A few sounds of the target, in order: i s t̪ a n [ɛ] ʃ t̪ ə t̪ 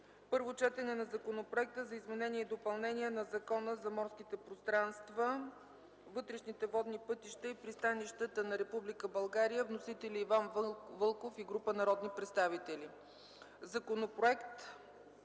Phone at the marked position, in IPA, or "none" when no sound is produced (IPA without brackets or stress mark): i